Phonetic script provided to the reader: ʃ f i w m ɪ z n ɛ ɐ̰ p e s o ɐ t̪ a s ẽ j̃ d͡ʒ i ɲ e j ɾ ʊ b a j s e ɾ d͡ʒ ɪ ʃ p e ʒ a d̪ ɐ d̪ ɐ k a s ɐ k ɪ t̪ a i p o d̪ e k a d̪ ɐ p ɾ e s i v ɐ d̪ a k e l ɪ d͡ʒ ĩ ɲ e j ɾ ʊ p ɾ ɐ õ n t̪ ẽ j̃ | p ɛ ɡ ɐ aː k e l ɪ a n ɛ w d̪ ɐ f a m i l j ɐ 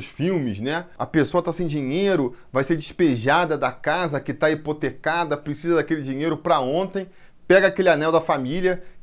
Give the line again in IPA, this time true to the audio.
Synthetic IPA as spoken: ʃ f i w m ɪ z n ɛ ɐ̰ p e s o ɐ t̪ a s ẽ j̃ d͡ʒ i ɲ e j ɾ ʊ v a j s e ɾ d͡ʒ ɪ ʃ p e ʒ a d̪ ɐ d̪ ɐ k a z ɐ k ɪ t̪ a i p o t̪ e k a d̪ ɐ p ɾ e s i z ɐ d̪ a k e l ɪ d͡ʒ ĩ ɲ e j ɾ ʊ p ɾ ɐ õ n t̪ ẽ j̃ | p ɛ ɡ ɐ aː k e l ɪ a n ɛ w d̪ ɐ f a m i l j ɐ